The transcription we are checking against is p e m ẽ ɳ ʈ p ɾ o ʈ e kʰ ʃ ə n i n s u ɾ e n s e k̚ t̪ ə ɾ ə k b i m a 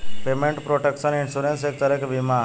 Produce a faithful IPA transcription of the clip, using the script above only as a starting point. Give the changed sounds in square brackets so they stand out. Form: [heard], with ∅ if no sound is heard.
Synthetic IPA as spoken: p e m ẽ ɳ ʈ p ɾ o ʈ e [k] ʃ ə n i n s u ɾ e n s e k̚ t̪ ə ɾ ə k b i m a

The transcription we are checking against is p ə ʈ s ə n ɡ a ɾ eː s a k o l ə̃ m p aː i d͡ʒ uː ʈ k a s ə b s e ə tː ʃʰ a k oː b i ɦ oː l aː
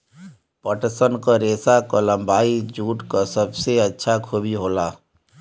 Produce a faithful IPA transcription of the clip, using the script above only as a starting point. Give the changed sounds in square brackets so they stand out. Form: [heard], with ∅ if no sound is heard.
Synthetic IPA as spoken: p ə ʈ s ə n [k] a ɾ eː s a k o l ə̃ m [b] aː i d͡ʒ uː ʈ k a s ə b s e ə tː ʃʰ a [kʰ] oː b i ɦ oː l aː

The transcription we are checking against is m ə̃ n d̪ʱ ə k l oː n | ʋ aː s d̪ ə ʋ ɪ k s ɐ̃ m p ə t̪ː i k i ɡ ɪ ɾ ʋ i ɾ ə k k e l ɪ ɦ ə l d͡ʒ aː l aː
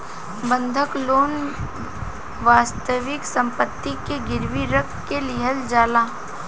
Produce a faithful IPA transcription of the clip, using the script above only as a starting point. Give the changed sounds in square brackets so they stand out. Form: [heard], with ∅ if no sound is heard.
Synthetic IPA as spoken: [b] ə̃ n d̪ʱ ə k l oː n | ʋ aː s [t̪] ə ʋ ɪ k s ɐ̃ m p ə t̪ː i k [e] ɡ ɪ ɾ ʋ i ɾ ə k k e l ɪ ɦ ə l d͡ʒ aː l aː

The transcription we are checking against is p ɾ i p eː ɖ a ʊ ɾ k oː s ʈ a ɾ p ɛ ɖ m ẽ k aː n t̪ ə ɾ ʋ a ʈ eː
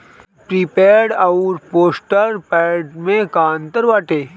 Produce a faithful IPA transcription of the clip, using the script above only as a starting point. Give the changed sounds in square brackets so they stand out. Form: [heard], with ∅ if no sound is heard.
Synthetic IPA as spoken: p ɾ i p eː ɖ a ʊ ɾ [p] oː s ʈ [ə] ɾ p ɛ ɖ m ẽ k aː n t̪ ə ɾ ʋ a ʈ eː

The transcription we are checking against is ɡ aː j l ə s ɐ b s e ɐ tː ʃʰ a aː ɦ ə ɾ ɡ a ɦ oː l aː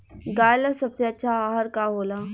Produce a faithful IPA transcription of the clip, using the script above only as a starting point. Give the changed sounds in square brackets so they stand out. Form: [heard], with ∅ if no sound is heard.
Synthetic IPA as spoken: ɡ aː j l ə s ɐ b s e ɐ tː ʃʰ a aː ɦ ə ɾ [k] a ɦ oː l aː

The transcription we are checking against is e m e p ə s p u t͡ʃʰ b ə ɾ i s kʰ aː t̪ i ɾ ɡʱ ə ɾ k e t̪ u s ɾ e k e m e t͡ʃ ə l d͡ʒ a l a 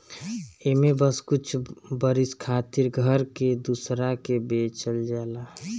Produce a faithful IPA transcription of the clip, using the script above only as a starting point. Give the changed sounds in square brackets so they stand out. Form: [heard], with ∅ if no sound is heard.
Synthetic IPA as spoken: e m e [b] ə s [k] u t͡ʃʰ b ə ɾ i s kʰ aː t̪ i ɾ ɡʱ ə ɾ k e [d̪] u s ɾ [a] k e [b] e t͡ʃ ə l d͡ʒ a l a

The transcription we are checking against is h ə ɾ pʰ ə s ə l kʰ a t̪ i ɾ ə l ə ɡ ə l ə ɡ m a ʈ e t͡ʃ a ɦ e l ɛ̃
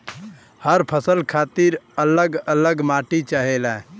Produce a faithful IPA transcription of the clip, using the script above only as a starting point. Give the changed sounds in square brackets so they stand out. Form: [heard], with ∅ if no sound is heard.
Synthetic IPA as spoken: h ə ɾ pʰ ə s ə l kʰ a t̪ i ɾ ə l ə ɡ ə l ə ɡ m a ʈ [i] t͡ʃ a ɦ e l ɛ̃

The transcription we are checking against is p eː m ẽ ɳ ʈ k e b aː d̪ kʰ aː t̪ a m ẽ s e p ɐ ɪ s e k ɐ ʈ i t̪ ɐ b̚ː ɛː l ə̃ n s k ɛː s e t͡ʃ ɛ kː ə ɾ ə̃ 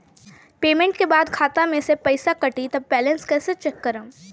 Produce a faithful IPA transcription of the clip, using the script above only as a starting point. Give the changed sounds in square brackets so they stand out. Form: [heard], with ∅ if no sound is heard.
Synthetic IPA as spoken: p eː m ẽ ɳ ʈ k e b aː d̪ kʰ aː t̪ a m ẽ s e p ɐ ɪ s [a] k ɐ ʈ i t̪ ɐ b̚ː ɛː l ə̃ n s k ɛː s e t͡ʃ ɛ kː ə ɾ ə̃

